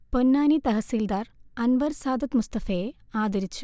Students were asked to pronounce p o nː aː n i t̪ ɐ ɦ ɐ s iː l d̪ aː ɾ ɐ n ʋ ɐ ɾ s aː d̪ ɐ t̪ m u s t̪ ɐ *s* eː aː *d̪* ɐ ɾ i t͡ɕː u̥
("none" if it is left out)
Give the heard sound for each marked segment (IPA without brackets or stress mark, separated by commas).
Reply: f, d̪